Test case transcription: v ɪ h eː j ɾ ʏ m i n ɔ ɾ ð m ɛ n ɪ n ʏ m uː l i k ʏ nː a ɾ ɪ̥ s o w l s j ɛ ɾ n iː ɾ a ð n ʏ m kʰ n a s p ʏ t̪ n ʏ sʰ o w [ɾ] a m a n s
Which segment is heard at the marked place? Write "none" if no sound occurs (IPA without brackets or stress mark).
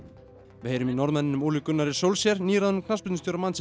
ɾ